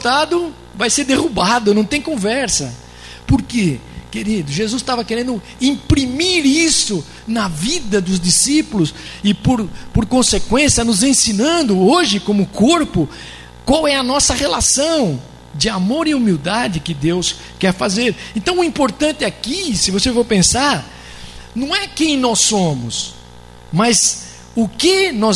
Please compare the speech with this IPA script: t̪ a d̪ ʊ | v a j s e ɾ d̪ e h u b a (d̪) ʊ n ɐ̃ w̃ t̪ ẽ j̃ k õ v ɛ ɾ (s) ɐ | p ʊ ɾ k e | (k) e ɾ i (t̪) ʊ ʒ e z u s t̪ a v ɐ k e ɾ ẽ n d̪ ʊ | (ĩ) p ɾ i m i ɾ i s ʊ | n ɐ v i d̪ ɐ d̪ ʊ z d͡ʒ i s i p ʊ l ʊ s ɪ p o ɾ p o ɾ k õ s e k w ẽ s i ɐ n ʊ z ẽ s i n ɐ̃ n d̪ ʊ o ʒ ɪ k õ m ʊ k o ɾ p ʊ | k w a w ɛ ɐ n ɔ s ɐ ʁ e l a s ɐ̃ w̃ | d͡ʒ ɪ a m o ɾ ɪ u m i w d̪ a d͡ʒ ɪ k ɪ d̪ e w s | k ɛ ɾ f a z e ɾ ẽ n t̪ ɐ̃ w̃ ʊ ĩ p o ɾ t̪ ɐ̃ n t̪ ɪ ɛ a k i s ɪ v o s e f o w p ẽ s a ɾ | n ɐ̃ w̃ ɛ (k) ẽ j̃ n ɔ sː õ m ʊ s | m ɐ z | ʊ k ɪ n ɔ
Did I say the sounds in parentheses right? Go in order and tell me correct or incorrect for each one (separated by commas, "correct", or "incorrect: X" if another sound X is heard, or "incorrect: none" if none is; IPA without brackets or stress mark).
correct, correct, correct, incorrect: d̪, correct, correct